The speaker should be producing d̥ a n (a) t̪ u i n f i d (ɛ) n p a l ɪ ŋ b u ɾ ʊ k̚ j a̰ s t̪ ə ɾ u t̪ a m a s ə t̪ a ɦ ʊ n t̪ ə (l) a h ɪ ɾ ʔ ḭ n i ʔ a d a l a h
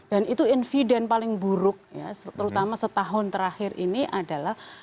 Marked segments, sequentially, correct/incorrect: incorrect: i, correct, incorrect: ɾ

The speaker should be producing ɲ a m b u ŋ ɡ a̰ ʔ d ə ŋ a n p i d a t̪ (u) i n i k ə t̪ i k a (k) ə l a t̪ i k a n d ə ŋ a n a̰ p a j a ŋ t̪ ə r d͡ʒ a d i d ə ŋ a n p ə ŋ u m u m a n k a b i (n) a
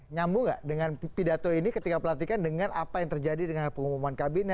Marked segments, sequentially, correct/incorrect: incorrect: o, incorrect: p, correct

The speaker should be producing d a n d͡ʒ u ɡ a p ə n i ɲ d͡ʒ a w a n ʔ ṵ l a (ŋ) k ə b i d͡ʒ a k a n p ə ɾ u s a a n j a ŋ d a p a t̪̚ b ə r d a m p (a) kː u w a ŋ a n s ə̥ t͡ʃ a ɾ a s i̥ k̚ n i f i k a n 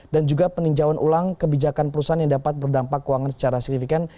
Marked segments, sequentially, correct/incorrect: correct, correct

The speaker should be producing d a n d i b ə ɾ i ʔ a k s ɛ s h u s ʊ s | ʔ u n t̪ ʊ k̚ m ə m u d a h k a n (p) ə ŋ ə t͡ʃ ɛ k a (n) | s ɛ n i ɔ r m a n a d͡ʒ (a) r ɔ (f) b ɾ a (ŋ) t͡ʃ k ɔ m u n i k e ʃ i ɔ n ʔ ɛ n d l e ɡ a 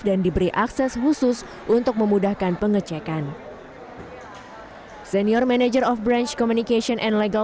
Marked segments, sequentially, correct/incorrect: correct, correct, incorrect: ə, correct, incorrect: n

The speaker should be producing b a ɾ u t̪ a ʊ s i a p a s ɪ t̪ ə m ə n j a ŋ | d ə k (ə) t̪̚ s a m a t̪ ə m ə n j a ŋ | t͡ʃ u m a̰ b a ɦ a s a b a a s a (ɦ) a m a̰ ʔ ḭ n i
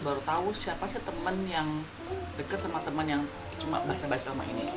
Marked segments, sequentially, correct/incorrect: correct, incorrect: none

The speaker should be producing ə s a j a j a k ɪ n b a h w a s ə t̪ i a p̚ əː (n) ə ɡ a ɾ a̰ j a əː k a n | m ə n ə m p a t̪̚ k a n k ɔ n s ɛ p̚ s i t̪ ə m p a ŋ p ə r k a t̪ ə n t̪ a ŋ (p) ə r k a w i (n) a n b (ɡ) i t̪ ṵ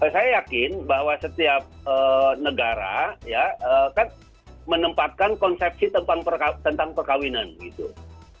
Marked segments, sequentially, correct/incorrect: correct, correct, correct, correct

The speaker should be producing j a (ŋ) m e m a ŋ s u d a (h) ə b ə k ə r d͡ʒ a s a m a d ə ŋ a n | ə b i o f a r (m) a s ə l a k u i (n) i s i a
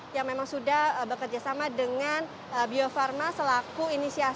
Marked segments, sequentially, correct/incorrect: correct, correct, correct, correct

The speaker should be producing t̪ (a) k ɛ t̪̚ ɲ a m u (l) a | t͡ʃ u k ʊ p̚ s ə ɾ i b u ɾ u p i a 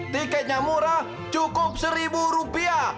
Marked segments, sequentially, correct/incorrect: incorrect: i, incorrect: ɾ

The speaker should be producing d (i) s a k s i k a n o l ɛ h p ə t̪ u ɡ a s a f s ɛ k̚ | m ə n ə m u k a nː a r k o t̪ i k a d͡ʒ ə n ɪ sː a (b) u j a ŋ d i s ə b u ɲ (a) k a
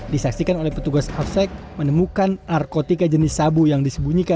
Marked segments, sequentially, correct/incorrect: correct, correct, incorrect: i

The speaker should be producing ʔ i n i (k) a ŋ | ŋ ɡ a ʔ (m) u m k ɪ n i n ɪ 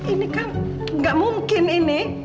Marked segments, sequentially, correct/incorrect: correct, correct

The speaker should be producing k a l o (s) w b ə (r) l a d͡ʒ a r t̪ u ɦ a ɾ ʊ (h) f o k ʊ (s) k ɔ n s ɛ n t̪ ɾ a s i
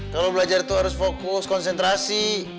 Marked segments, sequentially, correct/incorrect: incorrect: none, incorrect: none, incorrect: s, correct

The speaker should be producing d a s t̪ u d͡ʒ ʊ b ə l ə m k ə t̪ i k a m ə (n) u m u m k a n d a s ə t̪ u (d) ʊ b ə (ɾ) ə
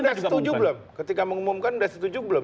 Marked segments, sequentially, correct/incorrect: incorrect: ŋ, incorrect: d͡ʒ, incorrect: l

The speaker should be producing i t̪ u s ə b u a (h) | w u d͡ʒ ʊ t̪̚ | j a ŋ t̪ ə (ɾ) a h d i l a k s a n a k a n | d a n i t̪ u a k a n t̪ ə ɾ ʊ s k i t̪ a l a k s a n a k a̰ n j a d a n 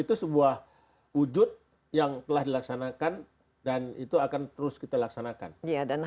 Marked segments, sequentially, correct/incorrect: correct, incorrect: l

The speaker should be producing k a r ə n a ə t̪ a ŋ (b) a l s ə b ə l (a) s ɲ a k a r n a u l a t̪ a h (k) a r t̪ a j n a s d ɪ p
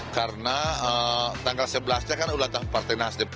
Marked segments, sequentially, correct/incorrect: incorrect: ɡ, correct, incorrect: p

